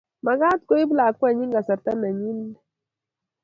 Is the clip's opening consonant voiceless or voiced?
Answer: voiced